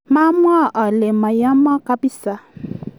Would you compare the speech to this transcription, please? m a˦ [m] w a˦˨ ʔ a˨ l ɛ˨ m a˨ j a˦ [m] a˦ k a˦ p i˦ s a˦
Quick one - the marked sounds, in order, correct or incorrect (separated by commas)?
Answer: correct, correct